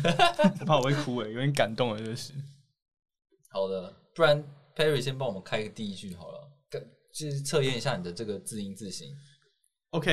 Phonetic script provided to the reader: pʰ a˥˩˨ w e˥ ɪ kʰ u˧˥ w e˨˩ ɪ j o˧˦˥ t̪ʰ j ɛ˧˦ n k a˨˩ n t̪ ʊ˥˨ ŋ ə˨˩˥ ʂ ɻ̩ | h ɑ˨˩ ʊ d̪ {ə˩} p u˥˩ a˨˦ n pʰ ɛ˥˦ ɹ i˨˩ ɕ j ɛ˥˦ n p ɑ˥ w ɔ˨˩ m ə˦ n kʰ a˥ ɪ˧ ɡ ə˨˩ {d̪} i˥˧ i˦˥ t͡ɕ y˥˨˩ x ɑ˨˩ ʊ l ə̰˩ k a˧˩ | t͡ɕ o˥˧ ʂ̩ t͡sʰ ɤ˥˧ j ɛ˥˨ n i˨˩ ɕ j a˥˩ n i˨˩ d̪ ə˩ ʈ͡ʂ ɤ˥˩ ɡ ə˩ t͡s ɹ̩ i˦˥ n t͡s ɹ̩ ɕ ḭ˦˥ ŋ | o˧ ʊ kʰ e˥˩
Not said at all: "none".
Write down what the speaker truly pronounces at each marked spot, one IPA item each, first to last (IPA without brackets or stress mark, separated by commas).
ə˦, t̪